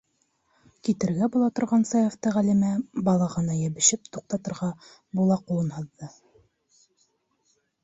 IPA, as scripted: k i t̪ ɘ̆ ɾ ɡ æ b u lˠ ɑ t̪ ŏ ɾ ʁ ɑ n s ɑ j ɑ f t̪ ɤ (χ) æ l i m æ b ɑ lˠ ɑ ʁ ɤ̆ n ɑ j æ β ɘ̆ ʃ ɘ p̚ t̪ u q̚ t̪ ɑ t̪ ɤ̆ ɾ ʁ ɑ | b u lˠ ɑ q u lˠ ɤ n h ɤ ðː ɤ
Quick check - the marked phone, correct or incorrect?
incorrect